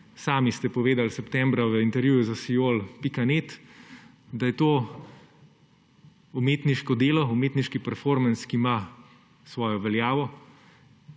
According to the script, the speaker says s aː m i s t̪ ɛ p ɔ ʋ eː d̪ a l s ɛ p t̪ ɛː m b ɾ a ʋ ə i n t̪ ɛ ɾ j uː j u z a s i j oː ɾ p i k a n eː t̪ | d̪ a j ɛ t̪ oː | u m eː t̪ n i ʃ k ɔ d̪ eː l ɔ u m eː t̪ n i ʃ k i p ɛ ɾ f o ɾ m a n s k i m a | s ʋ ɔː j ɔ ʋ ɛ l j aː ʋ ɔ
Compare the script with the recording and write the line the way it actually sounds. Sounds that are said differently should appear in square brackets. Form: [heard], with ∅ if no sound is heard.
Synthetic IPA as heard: s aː m i s t̪ ɛ p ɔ ʋ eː d̪ a l s ɛ p t̪ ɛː m b ɾ a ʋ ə i n t̪ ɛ ɾ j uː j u z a s i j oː [l] p i k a n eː t̪ | d̪ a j ɛ t̪ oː | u m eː t̪ n i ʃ k ɔ d̪ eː l ɔ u m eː t̪ n i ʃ k i p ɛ ɾ f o ɾ m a n s k i m a | s ʋ ɔː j ɔ ʋ ɛ l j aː ʋ ɔ